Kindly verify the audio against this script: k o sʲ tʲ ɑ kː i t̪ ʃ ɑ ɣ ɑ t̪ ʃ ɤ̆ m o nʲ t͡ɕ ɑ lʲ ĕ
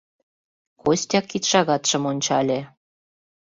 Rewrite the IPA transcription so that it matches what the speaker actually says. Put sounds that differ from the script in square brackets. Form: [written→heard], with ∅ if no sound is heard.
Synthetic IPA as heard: k o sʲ tʲ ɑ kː i t̪ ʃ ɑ ɣ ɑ t̪ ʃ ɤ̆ m o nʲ t͡ɕ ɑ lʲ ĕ

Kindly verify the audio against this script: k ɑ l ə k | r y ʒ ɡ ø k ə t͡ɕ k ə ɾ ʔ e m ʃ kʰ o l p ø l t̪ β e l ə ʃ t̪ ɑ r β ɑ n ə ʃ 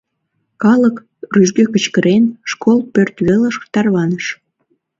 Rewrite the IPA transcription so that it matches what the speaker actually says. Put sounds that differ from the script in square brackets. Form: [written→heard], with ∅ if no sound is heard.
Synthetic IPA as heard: k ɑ l ə k | r y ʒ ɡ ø k ə t͡ɕ k ə ɾ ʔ e [m→n] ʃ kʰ o l p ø [l→r] t̪ β e l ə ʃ t̪ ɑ r β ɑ n ə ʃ

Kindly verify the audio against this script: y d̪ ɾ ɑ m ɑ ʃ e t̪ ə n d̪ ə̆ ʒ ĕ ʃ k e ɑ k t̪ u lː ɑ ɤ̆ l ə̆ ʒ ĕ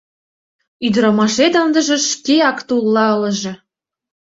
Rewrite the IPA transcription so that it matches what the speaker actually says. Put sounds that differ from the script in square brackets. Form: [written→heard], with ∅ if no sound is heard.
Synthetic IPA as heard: y d̪ ɾ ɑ m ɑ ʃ e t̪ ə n d̪ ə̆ ʒ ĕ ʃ k e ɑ k t̪ u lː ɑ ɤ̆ l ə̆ ʒ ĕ

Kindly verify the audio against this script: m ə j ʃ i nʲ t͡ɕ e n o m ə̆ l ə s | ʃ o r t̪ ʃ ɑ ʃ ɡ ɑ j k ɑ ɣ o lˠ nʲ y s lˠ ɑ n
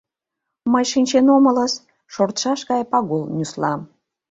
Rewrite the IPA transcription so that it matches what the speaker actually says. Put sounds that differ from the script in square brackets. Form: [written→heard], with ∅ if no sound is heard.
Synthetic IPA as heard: m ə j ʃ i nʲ t͡ɕ e n o m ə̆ l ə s | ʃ o r t̪ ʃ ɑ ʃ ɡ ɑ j [k→p] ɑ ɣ o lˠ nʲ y s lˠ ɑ [n→m]

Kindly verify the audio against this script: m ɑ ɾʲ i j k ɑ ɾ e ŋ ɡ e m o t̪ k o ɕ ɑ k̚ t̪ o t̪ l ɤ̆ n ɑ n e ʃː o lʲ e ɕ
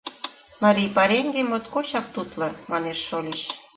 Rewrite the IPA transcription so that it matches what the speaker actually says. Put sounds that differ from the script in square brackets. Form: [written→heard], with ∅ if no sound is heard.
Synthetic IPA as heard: m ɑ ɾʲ i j [k→p] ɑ ɾ e ŋ ɡ e m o t̪ k o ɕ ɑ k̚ t̪ [o→u] t̪ l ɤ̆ [n→m] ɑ n e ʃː o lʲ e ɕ

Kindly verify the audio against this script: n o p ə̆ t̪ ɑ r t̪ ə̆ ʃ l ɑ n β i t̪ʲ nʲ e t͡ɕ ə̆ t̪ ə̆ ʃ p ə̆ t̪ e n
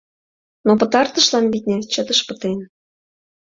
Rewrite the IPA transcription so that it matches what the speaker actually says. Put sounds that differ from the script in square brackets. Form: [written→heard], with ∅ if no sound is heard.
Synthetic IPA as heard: n o p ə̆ t̪ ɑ r t̪ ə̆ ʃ l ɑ n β i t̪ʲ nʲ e t͡ɕ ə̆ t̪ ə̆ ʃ p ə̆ t̪ e n

